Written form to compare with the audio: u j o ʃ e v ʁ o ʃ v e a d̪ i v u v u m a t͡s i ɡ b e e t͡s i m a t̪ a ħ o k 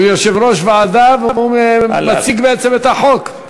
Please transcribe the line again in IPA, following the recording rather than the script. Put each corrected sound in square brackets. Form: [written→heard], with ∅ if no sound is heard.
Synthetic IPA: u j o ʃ e v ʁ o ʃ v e a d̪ [i→a] v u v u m a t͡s i ɡ b e e t͡s [i→e] m [a→e] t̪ a ħ o k